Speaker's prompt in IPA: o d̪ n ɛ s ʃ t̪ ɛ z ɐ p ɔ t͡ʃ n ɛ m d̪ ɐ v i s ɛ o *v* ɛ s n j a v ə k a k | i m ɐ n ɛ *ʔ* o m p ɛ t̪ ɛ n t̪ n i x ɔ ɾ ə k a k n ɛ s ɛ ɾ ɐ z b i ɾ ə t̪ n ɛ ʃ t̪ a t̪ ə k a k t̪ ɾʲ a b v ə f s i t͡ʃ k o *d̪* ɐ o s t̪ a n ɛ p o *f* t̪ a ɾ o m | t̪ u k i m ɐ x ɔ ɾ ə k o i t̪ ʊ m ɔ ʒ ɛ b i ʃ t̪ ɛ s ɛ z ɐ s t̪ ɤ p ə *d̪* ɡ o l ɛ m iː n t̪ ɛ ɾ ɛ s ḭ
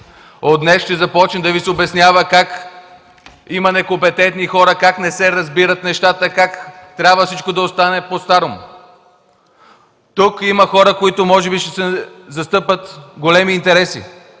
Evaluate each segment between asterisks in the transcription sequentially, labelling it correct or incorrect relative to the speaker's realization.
incorrect: b, incorrect: k, correct, incorrect: s, incorrect: t̪

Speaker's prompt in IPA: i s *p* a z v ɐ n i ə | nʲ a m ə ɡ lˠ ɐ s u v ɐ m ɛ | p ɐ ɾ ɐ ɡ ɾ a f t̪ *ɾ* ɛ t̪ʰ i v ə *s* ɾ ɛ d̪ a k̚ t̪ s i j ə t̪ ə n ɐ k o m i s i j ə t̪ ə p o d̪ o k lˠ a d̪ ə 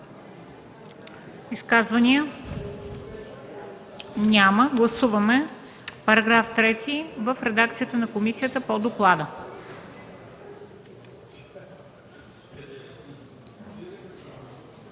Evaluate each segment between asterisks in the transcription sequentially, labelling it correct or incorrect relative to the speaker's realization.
incorrect: k, correct, incorrect: f

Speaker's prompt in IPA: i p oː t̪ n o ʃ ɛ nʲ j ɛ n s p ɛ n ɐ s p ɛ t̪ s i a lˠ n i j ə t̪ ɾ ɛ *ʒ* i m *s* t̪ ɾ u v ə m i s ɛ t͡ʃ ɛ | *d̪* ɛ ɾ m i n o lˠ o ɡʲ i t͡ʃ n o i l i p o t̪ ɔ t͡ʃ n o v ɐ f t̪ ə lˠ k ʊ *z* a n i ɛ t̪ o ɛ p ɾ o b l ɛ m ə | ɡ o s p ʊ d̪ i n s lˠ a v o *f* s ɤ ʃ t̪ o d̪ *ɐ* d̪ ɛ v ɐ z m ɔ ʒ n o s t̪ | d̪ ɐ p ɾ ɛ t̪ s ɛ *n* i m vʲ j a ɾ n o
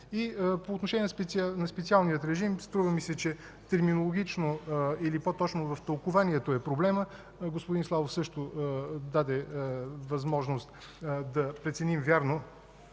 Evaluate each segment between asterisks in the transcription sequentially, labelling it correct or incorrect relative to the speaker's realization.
correct, correct, incorrect: t̪, incorrect: v, correct, incorrect: a, correct

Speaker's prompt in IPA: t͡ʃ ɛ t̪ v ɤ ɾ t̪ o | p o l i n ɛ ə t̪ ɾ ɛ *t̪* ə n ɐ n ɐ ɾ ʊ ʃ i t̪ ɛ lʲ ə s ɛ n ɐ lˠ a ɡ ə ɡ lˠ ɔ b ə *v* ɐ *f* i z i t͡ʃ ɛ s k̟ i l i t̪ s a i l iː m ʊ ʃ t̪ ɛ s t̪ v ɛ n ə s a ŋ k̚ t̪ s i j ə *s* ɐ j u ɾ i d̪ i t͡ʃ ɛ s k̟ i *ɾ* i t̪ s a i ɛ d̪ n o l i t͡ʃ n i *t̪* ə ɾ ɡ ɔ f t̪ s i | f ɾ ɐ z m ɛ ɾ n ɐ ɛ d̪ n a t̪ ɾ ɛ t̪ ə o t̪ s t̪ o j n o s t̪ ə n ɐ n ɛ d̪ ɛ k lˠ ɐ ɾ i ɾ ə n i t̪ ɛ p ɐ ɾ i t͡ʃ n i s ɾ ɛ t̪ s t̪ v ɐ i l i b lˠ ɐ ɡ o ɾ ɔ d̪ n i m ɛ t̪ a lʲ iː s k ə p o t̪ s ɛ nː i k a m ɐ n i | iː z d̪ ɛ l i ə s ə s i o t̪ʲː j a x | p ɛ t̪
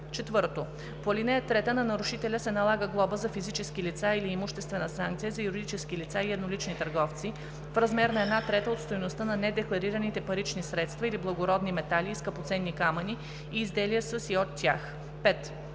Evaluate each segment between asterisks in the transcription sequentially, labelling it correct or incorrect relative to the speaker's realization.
correct, incorrect: z, correct, incorrect: z, incorrect: l, correct

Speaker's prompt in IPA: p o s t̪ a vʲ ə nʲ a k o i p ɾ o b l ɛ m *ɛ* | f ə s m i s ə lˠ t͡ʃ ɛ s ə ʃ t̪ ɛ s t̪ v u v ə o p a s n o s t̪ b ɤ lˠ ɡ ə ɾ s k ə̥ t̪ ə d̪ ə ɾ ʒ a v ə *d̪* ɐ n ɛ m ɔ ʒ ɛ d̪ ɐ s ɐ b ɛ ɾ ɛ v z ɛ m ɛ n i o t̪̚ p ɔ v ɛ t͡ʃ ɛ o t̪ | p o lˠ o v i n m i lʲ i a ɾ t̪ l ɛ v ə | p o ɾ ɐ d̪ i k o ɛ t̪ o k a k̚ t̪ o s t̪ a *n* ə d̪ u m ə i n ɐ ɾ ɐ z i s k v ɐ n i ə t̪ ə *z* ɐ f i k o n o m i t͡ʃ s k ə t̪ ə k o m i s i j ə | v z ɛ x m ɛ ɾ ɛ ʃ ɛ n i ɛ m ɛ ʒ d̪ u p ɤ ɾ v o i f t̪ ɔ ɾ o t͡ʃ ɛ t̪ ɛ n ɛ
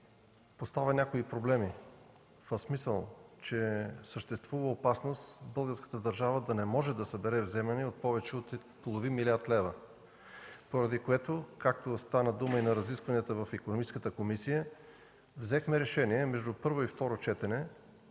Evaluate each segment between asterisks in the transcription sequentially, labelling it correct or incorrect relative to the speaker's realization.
incorrect: i, correct, correct, incorrect: v

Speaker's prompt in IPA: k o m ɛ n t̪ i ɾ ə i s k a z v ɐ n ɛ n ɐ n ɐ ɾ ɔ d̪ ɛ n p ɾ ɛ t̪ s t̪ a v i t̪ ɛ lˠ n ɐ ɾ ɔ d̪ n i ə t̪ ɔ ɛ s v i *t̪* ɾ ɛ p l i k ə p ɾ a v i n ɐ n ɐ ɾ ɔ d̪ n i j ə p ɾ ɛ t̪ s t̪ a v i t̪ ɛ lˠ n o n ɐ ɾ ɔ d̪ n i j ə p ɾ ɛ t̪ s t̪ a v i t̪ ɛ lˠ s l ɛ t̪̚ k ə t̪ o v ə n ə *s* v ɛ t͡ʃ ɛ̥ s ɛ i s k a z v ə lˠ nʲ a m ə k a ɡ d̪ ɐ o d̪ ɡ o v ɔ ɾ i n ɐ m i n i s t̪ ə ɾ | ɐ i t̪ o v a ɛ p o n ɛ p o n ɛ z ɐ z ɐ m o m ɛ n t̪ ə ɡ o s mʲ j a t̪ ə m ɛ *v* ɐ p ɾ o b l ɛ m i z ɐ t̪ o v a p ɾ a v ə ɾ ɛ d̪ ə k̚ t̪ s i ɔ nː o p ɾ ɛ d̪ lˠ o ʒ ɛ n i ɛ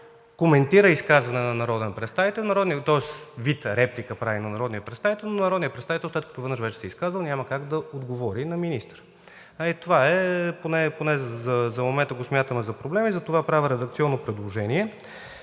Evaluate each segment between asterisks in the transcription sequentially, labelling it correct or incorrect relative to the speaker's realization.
correct, incorrect: ʃ, incorrect: z

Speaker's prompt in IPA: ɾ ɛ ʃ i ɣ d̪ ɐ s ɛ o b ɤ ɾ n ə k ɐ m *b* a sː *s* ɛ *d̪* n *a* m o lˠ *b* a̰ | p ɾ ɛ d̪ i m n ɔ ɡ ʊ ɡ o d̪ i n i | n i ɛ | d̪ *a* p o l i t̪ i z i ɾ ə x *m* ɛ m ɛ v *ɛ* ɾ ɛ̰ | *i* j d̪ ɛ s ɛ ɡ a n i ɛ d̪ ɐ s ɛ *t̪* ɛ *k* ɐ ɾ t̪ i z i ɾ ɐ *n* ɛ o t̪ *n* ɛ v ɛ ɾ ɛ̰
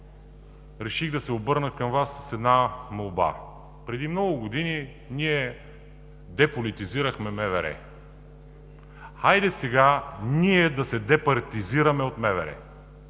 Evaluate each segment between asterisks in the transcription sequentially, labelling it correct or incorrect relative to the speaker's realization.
incorrect: v, correct, correct, correct, correct, incorrect: ɛ, correct, correct, incorrect: a, incorrect: d̪, incorrect: p, incorrect: m, incorrect: m

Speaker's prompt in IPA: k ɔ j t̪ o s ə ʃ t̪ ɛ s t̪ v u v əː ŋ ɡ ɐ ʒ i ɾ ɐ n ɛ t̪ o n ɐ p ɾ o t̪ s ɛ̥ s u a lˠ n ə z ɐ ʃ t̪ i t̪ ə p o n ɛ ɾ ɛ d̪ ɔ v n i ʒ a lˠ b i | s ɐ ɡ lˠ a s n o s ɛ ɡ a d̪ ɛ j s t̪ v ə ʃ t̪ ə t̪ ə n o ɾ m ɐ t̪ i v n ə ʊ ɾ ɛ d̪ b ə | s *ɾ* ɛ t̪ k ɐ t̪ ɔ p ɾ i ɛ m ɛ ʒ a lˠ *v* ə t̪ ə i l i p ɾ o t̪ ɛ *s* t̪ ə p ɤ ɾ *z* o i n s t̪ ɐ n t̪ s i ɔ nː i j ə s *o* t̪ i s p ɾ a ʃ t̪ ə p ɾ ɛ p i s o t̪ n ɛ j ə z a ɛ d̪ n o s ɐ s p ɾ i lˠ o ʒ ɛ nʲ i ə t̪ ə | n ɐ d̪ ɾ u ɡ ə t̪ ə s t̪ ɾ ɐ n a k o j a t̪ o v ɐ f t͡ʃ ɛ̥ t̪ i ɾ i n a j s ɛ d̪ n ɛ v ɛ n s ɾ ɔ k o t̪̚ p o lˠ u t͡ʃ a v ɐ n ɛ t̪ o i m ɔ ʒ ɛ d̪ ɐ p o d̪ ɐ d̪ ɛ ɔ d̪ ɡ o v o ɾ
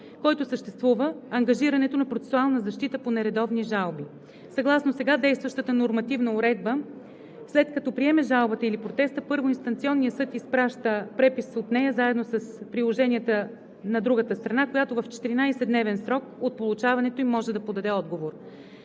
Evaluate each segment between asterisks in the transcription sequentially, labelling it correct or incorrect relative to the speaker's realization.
incorrect: l, incorrect: b, correct, incorrect: v, incorrect: ɤ

